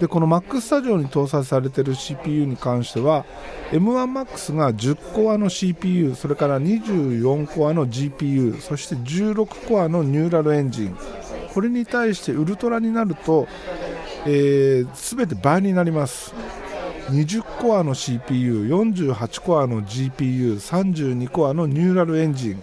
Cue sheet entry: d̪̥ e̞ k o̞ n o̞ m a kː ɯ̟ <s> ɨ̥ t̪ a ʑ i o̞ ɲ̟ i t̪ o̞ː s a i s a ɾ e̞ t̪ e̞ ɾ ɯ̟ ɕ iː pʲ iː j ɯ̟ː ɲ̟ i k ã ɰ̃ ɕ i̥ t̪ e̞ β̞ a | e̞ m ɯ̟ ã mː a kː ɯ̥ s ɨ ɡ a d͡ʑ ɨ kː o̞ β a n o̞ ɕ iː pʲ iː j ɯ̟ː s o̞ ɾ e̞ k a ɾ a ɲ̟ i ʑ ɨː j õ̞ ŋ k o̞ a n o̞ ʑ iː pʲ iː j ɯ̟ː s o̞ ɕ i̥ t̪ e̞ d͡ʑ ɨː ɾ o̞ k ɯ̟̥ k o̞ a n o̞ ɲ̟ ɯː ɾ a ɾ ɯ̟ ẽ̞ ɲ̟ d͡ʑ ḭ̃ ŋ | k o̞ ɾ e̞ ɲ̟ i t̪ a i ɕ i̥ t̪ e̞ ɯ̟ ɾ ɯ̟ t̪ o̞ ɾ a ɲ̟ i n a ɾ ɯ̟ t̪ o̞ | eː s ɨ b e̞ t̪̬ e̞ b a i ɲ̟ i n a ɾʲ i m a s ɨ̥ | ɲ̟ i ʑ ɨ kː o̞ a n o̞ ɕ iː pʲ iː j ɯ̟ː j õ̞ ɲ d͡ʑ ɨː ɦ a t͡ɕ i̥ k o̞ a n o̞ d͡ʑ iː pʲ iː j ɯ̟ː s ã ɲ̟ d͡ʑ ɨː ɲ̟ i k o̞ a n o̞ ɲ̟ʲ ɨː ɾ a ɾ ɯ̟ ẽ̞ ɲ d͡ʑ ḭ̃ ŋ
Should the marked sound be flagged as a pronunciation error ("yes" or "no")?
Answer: no